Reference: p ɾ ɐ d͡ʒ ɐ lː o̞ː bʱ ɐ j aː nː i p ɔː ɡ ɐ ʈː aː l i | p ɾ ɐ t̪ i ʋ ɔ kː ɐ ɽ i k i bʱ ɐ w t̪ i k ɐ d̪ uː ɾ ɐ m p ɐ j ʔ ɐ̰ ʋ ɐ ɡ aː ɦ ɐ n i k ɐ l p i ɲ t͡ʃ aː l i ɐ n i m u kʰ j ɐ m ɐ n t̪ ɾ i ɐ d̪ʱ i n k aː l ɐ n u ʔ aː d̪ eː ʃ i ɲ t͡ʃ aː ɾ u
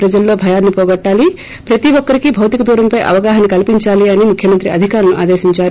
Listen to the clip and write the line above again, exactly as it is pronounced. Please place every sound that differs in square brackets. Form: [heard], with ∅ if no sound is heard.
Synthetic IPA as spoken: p ɾ ɐ d͡ʒ ɐ lː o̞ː bʱ ɐ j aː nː i p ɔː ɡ ɐ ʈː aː l i | p ɾ ɐ t̪ i ʋ ɔ kː ɐ [ɾ] i k i bʱ ɐ w t̪ i k ɐ d̪ uː ɾ ɐ m p ɐ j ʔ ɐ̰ ʋ ɐ ɡ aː ɦ ɐ n i k ɐ l p i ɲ t͡ʃ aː l i ɐ n i m u kʰ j ɐ m ɐ n t̪ ɾ i ɐ d̪ʱ i [∅] k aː [ɾ] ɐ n u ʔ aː d̪ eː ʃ i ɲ t͡ʃ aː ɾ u